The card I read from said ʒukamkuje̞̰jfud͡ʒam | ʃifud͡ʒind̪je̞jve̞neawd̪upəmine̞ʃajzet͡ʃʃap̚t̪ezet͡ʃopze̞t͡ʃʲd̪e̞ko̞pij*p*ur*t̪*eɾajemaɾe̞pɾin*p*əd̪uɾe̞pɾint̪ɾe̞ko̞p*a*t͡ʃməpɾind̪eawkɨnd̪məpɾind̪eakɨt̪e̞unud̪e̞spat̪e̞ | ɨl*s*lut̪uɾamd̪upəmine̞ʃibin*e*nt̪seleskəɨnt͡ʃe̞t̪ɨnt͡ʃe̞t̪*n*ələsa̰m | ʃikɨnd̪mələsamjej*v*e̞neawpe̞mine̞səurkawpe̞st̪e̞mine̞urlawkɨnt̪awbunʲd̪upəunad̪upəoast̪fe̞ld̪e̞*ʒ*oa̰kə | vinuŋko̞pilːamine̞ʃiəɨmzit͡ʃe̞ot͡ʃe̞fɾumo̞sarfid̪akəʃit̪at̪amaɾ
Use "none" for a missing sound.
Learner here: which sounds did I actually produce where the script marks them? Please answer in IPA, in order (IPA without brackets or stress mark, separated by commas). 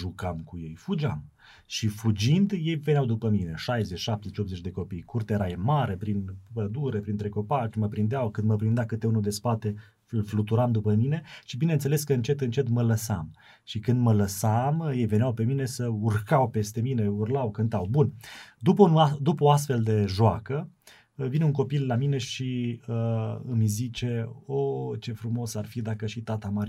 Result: k, t̪, p, a, f, e, m, v, ʒ